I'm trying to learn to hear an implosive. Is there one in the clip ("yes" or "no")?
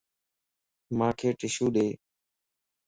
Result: yes